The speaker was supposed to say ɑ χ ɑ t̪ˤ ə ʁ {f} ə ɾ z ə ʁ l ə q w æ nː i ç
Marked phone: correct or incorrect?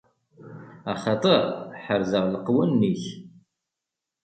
incorrect